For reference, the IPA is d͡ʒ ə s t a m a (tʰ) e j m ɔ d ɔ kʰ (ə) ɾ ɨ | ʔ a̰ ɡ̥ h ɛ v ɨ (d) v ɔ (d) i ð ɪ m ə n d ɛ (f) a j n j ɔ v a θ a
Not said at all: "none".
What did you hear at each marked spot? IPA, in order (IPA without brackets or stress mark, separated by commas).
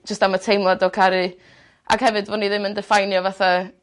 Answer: tʰ, a, d, n, f